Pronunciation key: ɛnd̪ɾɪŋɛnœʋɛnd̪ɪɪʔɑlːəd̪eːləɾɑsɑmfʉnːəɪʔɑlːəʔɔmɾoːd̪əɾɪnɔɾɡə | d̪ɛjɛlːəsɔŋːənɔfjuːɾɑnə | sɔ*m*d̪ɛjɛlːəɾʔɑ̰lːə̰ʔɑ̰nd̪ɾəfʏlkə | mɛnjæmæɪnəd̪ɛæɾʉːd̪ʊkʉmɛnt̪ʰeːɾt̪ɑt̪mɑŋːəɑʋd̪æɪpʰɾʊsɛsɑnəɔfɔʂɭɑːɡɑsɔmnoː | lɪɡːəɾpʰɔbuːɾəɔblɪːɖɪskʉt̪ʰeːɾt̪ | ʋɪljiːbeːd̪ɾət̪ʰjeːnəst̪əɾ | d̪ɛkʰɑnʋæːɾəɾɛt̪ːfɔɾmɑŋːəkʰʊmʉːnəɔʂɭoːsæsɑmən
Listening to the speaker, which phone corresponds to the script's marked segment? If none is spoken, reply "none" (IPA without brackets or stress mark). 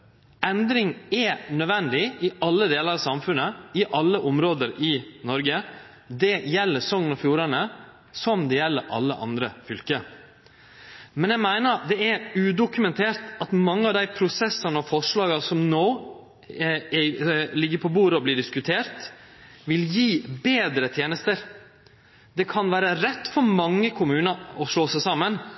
m